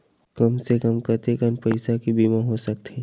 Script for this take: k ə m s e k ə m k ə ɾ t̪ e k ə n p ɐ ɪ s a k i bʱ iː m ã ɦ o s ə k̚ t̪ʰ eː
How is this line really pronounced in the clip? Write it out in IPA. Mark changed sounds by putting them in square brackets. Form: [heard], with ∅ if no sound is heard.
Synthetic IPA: k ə m s e k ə m k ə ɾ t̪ e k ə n p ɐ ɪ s a k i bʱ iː m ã ɦ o s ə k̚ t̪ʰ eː